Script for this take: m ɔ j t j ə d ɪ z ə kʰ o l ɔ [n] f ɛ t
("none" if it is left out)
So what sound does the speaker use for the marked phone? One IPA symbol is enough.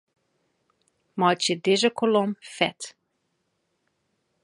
m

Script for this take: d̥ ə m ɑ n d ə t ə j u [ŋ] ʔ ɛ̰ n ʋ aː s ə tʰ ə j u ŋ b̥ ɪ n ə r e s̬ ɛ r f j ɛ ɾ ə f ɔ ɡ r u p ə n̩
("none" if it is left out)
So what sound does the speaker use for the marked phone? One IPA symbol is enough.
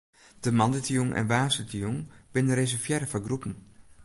ŋ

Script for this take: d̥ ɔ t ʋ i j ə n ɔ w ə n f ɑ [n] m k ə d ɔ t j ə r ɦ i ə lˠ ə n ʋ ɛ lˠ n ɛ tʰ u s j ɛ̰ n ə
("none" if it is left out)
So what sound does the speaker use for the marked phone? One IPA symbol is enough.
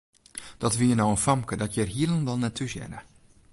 none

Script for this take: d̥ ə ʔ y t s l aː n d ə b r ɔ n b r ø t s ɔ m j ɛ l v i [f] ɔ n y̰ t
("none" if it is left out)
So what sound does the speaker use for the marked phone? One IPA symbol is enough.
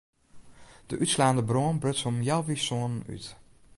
s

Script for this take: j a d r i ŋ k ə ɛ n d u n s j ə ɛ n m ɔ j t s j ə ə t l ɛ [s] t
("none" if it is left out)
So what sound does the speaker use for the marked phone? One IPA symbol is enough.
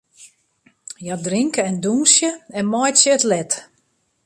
none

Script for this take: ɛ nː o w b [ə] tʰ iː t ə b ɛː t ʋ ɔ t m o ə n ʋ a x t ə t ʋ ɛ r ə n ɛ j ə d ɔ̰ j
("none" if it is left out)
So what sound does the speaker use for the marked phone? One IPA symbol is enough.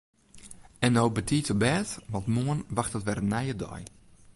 ə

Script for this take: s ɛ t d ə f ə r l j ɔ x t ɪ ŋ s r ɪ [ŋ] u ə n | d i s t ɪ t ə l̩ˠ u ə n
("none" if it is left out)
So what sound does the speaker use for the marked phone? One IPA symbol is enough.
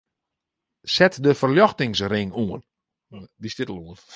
ŋ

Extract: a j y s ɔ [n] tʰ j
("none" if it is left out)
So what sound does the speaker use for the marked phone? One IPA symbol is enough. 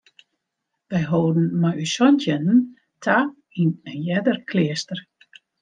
n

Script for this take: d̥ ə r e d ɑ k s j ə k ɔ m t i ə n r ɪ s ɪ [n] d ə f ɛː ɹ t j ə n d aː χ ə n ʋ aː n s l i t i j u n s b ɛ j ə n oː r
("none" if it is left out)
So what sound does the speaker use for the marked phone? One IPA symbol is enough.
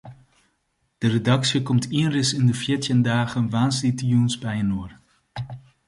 n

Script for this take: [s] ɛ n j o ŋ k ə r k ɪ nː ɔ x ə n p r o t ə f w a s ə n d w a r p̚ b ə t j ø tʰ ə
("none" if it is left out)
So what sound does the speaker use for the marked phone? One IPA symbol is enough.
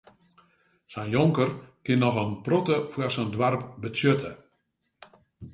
s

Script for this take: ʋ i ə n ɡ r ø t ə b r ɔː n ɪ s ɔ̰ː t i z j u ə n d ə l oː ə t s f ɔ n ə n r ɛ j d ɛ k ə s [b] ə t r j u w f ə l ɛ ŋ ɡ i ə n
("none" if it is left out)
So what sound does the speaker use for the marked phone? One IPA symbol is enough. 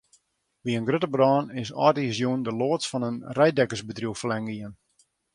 b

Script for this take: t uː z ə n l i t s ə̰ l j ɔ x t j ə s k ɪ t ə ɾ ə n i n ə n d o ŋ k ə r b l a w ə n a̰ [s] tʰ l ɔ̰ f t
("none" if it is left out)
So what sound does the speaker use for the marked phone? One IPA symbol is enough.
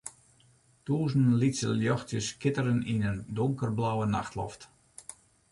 x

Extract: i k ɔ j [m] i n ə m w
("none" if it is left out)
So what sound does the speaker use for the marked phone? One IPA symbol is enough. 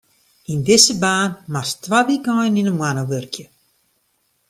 n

